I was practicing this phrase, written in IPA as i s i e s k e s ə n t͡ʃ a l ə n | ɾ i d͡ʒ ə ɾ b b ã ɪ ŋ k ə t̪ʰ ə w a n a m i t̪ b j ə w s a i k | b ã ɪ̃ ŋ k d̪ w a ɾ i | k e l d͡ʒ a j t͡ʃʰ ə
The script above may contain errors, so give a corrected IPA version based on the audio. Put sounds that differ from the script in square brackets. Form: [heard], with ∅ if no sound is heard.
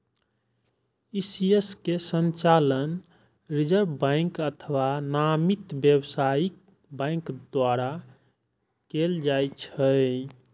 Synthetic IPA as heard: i s i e s k e s ə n t͡ʃ a l ə n | ɾ i d͡ʒ ə ɾ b b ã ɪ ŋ k ə t̪ʰ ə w a n a m i t̪ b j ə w s a i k | b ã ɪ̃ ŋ k d̪ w a ɾ [a] | k e l d͡ʒ a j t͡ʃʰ ə